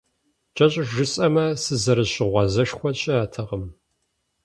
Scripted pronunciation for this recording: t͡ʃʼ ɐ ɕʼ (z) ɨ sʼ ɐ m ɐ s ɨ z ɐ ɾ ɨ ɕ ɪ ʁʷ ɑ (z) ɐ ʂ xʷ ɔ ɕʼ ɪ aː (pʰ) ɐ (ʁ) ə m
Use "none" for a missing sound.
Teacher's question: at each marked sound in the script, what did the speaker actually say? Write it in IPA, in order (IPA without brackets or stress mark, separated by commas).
ʒ, z, tʰ, ʁ